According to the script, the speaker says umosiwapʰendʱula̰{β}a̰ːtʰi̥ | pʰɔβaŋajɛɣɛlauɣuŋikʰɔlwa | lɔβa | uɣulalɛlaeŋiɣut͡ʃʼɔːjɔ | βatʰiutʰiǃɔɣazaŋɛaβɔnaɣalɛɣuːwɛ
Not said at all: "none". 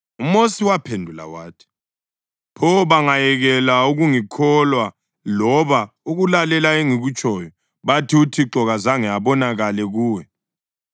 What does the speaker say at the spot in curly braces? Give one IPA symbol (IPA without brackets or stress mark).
w